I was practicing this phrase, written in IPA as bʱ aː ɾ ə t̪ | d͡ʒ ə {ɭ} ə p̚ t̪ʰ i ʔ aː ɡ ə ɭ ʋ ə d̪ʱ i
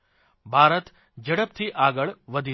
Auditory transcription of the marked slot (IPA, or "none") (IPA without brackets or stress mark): ɽ